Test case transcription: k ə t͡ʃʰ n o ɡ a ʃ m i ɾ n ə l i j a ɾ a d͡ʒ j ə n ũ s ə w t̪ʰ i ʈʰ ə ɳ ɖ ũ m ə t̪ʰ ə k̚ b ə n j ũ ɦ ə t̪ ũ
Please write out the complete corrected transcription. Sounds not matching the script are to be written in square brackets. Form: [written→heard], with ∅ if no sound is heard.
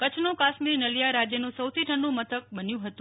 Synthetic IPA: k ə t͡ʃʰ n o [ɡ→k] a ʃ m i ɾ n ə l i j a ɾ a d͡ʒ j ə n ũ s ə w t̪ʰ i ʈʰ ə ɳ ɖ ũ m ə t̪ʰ ə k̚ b ə n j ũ ɦ ə t̪ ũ

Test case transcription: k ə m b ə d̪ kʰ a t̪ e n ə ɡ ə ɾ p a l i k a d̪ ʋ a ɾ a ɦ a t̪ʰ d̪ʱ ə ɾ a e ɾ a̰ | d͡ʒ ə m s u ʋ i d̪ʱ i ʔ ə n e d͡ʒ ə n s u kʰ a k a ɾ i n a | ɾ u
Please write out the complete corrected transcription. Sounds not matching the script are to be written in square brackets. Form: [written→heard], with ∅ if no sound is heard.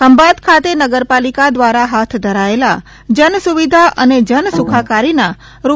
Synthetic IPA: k ə m b [ə→a] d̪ kʰ a t̪ e n ə ɡ ə ɾ p a l i k a d̪ ʋ a ɾ a ɦ a t̪ʰ d̪ʱ ə ɾ a e [ɾ→l] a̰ | d͡ʒ ə [m→n] s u ʋ i d̪ʱ [i→a] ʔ ə n e d͡ʒ ə n s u kʰ a k a ɾ i n a | ɾ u

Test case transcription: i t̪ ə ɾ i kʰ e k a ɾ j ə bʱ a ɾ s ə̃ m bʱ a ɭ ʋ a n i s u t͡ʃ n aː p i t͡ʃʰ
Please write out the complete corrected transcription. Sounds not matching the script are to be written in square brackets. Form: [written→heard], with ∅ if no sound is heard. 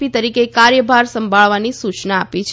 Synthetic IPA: i t̪ ə ɾ i [kʰ→k] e k a ɾ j ə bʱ a ɾ s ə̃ m bʱ a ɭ ʋ a n i s u t͡ʃ n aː p i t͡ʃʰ

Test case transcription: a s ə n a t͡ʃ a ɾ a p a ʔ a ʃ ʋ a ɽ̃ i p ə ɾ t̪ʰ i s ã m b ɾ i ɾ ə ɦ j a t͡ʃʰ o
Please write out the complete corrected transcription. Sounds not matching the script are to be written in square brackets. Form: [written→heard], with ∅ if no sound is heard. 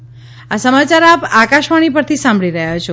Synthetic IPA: a s ə [n→m] a t͡ʃ a ɾ a p a [ʔ→k] a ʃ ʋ a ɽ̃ i p ə ɾ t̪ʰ i s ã m b [ɾ→ɭ] i ɾ ə ɦ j a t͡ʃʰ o

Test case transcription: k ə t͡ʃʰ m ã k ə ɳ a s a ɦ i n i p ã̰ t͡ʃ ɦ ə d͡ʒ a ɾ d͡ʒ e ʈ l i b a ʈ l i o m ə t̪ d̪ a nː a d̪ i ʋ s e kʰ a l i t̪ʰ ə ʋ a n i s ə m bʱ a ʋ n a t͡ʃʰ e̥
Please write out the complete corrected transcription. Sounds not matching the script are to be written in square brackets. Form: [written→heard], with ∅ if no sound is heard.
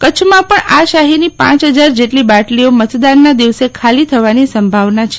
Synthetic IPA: k ə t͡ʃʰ m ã [k→p] ə ɳ a [s→ʃ] a ɦ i n i p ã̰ t͡ʃ ɦ ə d͡ʒ a ɾ d͡ʒ e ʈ l i b a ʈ l i o m ə t̪ d̪ a nː a d̪ i ʋ s e kʰ a l i t̪ʰ ə ʋ a n i s ə m bʱ a ʋ n a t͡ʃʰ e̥

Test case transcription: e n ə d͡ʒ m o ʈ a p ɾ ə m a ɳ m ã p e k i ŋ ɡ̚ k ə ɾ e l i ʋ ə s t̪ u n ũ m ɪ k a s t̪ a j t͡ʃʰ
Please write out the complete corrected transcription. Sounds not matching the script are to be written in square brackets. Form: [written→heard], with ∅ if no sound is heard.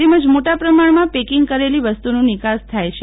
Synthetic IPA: e [n→m] ə d͡ʒ m o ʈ a p ɾ ə m a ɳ m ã p e k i ŋ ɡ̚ k ə ɾ e l i ʋ ə s t̪ u n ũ [m→n] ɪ k a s [t̪→t̪ʰ] a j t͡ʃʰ

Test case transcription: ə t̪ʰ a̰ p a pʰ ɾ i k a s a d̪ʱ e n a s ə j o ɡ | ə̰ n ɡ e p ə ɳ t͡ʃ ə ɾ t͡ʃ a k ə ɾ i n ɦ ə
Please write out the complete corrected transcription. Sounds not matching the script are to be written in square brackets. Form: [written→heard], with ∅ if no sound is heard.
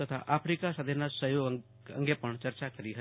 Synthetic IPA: ə t̪ʰ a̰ [p→ʔ] a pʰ ɾ i k a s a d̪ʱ e n a s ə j o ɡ | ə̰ [n→ŋ] ɡ e p ə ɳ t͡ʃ ə ɾ t͡ʃ a k ə ɾ i [n→∅] ɦ ə

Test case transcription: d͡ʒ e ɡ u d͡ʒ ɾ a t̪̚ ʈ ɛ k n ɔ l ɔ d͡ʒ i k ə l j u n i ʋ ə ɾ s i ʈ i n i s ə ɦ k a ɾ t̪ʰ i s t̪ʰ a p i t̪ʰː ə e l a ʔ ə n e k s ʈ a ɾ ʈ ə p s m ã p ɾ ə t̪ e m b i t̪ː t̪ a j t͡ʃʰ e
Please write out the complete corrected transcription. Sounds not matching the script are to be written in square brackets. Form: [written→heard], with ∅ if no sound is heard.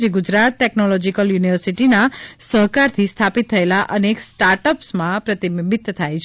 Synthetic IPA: d͡ʒ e ɡ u d͡ʒ ɾ a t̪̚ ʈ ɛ k n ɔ l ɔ d͡ʒ i k ə l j u n i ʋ ə ɾ s i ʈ i n [i→a] s ə ɦ k a ɾ t̪ʰ i s t̪ʰ a p i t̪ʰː ə e l a ʔ ə n e k s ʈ a ɾ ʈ ə p s m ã p ɾ ə t̪ [e→i] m b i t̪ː [t̪→t̪ʰ] a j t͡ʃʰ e

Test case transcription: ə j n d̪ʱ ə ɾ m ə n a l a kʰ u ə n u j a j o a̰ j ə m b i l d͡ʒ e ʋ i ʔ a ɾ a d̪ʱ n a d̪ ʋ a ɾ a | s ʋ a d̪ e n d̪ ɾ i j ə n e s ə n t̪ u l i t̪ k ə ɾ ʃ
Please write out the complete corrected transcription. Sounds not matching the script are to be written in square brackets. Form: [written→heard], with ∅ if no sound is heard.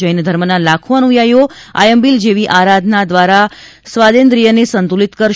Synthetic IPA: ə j n d̪ʱ ə ɾ m ə n a l a kʰ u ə n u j a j o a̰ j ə m b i l d͡ʒ e ʋ i ʔ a ɾ a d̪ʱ n a d̪ ʋ a ɾ a | s ʋ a d̪ e n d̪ ɾ i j ə n e s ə n t̪ u l i t̪ k ə ɾ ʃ

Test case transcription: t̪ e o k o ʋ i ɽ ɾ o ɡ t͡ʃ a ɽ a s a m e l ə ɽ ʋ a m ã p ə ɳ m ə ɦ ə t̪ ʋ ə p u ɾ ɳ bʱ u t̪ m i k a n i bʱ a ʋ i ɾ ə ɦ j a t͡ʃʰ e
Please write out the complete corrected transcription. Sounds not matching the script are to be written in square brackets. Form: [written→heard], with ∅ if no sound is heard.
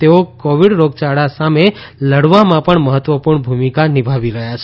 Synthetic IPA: t̪ e o k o ʋ i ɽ ɾ o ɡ t͡ʃ a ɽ a s a m e l ə ɽ ʋ a m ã p ə ɳ m ə ɦ ə t̪ ʋ ə p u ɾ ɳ bʱ u [t̪→∅] m i k a n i bʱ a ʋ i ɾ ə ɦ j a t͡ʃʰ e

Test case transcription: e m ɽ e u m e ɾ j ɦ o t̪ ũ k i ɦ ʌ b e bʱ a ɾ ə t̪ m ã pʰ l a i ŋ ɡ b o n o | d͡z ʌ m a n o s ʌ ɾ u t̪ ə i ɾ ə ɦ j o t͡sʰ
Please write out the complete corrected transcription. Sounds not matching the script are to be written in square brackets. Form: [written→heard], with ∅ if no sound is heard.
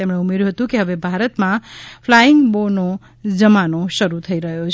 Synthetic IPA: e m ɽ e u m e ɾ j ɦ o t̪ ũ k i ɦ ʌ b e bʱ a ɾ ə t̪ m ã pʰ l a i ŋ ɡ b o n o | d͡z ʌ m a n o s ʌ ɾ u [t̪→t̪ʰ] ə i ɾ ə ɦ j o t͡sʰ

